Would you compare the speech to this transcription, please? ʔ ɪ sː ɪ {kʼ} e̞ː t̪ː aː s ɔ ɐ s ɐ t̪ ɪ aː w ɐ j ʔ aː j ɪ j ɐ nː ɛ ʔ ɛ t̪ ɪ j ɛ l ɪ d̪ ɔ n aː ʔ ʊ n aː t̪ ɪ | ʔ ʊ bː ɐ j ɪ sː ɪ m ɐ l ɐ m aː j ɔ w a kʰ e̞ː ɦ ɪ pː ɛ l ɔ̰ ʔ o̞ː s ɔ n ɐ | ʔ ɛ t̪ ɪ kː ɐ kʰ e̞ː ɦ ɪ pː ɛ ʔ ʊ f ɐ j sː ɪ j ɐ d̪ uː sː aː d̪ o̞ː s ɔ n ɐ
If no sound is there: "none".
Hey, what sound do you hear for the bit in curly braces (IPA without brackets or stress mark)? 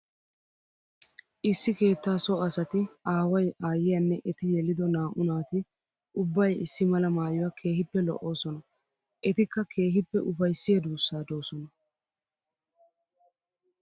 k